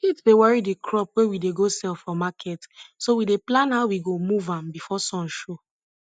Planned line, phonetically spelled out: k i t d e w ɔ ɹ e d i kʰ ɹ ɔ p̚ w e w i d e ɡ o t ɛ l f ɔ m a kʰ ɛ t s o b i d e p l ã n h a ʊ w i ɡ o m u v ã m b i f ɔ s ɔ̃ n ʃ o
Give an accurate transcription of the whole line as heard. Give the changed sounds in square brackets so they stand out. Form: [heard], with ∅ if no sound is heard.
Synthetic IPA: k i t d e w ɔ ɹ [i] d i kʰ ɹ ɔ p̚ w e w i d e ɡ o [s] ɛ l f ɔ m a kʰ ɛ t s o [w] i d e p l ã n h a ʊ w i ɡ o m u v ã m b i f ɔ s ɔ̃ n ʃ o